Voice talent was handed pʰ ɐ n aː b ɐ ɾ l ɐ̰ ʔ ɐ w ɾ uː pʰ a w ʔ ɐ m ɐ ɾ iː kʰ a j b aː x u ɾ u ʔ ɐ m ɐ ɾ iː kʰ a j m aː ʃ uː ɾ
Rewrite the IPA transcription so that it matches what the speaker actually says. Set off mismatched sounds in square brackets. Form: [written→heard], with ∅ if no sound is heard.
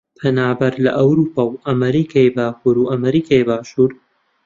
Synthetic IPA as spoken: pʰ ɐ n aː b ɐ ɾ l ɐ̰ ʔ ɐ w ɾ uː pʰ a w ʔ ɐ m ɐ ɾ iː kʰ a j b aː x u ɾ u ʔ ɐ m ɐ ɾ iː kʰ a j [m→b] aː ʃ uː ɾ